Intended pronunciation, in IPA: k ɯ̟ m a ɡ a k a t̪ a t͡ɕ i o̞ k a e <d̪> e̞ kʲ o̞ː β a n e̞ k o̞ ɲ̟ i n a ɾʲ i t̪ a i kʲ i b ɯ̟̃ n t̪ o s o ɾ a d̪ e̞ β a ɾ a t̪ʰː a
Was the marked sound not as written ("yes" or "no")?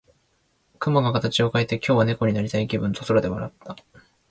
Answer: yes